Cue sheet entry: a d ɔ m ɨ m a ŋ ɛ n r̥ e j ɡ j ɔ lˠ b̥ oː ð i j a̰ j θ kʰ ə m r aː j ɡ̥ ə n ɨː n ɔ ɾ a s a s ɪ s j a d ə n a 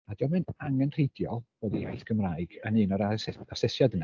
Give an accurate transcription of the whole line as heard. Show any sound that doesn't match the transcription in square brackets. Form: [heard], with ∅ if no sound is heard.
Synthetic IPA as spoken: a d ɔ m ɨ [n] a ŋ ɛ n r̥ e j [d] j ɔ lˠ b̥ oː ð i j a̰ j θ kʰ ə m r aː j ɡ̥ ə n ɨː n ɔ ɾ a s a s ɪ s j a d ə n a